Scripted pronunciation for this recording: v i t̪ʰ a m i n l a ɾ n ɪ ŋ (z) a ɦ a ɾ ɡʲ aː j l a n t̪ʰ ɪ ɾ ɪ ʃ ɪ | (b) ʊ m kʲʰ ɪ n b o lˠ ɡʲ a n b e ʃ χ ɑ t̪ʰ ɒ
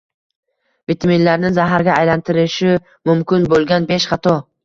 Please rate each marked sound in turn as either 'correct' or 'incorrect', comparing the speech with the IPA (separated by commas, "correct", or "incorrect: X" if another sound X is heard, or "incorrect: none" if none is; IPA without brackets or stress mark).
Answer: correct, incorrect: m